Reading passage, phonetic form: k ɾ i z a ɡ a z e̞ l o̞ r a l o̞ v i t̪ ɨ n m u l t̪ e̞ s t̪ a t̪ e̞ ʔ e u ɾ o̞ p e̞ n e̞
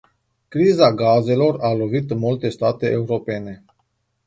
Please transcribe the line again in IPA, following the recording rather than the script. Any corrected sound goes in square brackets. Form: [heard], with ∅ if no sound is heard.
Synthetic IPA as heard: k ɾ i z a ɡ a z e̞ l o̞ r a l o̞ v i t̪ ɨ n m u l t̪ e̞ s t̪ a t̪ e̞ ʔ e u ɾ o̞ p e̞ n e̞